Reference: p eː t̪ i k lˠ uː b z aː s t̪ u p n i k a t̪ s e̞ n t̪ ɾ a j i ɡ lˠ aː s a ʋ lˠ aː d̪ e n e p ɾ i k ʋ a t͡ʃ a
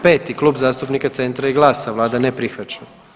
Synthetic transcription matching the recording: p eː t̪ i k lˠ uː b z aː s t̪ u p n i k a t̪ s e̞ n t̪ ɾ a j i ɡ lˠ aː s a ʋ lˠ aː d̪ a n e p ɾ i x ʋ a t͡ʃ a